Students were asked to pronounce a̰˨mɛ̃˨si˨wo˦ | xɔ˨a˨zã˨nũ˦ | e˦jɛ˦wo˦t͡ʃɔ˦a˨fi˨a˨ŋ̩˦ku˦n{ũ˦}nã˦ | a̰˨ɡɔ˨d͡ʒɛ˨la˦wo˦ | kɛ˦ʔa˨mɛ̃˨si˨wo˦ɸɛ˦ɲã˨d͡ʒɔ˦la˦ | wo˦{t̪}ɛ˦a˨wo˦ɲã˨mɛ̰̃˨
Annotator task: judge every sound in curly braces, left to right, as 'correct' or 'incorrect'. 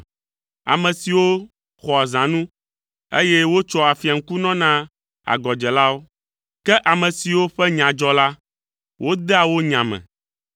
incorrect: ɔ̃˦, incorrect: d̪

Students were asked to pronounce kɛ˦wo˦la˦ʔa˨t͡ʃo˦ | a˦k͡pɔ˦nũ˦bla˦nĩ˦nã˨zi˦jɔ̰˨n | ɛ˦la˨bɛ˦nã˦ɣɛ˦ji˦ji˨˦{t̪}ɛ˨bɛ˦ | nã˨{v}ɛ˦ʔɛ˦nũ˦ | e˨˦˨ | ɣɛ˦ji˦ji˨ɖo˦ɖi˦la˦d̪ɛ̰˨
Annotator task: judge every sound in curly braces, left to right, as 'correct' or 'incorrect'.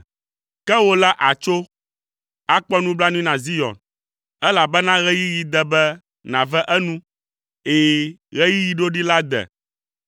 incorrect: d̪, correct

